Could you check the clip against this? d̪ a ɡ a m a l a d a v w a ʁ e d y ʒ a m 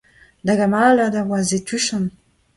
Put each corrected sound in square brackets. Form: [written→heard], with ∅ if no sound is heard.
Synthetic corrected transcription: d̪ a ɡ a m a l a d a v w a [ʁ→z] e [d→t] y [ʒ→ʃ] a [m→n]